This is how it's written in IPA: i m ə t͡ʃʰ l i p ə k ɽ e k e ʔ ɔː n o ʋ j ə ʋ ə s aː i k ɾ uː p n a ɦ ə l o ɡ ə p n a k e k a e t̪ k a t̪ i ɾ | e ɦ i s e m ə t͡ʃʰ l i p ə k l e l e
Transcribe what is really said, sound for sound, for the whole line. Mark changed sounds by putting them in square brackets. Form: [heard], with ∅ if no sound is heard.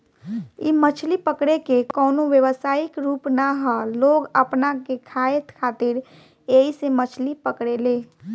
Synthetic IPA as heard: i m ə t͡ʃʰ l i p ə k ɽ e k e [k] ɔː n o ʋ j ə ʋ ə s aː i k ɾ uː p n a ɦ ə l o ɡ ə p n a k e [kʰ] a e t̪ [kʰ] a t̪ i ɾ | e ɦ i s e m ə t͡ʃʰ l i p ə k [ɽ] e l e